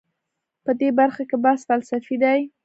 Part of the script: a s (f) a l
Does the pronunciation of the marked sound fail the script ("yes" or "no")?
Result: no